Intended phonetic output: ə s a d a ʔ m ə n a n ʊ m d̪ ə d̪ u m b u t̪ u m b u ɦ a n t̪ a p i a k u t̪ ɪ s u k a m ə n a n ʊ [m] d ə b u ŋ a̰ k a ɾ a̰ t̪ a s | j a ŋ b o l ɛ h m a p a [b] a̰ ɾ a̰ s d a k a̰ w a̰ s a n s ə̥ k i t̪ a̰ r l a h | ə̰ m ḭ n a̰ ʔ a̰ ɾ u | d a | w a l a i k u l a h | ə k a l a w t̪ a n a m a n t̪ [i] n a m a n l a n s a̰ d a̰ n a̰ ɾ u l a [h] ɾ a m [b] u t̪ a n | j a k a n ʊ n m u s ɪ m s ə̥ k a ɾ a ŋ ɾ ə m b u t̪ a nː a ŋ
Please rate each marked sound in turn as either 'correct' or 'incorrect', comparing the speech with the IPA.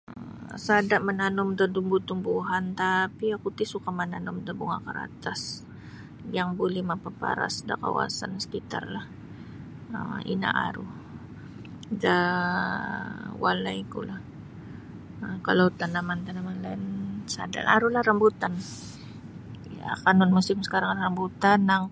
correct, incorrect, incorrect, correct, correct

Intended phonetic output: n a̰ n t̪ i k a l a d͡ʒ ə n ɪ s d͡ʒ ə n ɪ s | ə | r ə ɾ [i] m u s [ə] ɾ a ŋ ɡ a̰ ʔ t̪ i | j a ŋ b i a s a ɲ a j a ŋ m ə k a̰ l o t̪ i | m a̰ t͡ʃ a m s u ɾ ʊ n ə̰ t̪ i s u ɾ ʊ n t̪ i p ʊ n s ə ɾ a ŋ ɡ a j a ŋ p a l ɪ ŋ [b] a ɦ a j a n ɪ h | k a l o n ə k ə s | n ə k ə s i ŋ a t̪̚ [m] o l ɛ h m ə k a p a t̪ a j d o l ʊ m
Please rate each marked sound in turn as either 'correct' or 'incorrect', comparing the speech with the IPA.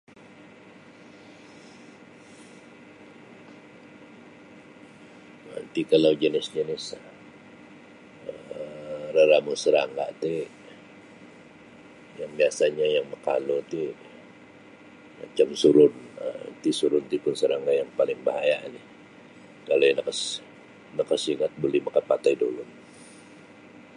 incorrect, correct, correct, incorrect

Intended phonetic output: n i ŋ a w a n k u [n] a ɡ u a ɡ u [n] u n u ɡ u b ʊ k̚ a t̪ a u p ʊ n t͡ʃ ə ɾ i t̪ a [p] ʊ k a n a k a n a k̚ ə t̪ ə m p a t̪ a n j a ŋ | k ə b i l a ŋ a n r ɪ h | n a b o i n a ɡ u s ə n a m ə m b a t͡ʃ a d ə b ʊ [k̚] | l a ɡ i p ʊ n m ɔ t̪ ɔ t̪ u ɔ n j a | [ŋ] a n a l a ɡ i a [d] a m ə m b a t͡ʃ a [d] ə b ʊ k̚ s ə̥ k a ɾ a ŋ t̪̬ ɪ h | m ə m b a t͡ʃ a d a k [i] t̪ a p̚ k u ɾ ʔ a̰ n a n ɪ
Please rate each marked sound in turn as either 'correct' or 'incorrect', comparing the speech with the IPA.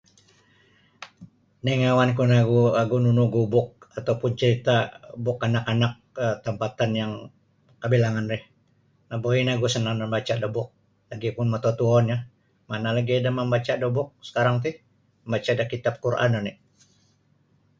correct, correct, incorrect, correct, incorrect, correct, correct, correct

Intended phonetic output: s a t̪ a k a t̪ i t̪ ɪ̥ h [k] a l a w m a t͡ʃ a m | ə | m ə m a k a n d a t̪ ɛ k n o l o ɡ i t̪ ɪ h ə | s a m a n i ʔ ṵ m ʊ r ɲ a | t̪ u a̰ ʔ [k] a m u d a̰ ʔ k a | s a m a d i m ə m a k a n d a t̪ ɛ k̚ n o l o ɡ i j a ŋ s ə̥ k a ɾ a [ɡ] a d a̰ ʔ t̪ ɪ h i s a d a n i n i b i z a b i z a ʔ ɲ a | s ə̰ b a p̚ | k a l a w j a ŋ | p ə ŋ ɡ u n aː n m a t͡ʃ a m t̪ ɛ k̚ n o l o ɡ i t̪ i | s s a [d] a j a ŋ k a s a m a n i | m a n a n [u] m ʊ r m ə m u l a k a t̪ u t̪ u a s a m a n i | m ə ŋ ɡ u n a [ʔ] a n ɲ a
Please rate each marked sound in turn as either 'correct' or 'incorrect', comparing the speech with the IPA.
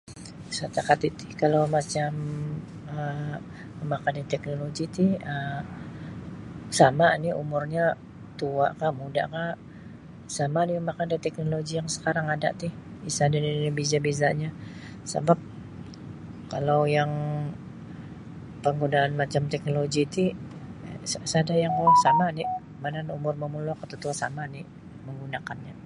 correct, correct, incorrect, correct, correct, incorrect

